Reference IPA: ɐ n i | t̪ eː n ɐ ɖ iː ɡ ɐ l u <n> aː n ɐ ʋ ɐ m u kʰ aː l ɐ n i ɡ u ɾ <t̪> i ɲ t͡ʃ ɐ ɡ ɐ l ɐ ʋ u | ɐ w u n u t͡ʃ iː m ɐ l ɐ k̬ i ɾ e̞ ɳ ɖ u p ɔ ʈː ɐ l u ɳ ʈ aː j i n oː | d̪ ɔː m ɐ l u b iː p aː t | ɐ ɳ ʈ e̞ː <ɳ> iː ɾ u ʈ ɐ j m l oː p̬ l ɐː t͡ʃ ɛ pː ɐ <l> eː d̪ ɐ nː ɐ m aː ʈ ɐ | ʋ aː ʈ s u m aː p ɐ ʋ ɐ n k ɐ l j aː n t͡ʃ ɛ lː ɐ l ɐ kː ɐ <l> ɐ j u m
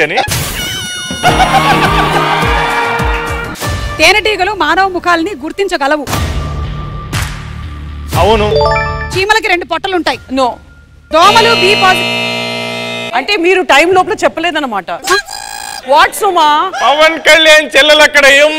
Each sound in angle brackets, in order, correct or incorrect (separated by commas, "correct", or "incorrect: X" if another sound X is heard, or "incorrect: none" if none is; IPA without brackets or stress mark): incorrect: m, correct, incorrect: m, correct, incorrect: ɽ